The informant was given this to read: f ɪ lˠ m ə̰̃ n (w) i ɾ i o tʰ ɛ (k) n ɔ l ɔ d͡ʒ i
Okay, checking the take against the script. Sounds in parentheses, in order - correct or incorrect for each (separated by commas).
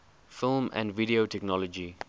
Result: incorrect, correct